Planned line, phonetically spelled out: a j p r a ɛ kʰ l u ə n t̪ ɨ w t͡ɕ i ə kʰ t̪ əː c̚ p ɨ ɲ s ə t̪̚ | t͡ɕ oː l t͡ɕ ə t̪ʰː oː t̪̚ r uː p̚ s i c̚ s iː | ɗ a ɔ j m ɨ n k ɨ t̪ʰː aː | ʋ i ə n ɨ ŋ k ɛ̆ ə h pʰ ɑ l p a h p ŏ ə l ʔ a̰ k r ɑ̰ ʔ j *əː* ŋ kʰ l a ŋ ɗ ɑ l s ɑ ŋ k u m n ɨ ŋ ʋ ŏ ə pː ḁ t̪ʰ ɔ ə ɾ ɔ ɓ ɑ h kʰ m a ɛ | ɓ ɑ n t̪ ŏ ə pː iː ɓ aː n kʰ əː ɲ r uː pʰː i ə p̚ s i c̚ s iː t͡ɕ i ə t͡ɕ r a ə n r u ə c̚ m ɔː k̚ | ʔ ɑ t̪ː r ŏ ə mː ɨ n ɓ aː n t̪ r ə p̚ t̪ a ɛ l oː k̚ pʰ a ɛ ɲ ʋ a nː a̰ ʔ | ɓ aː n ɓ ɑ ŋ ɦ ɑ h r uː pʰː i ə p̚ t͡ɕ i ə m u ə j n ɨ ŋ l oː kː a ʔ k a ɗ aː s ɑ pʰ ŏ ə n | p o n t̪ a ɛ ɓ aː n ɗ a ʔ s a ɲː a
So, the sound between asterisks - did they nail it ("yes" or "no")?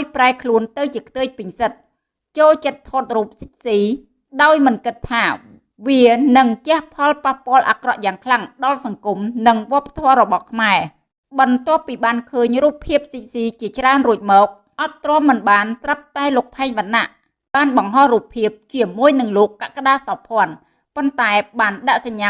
no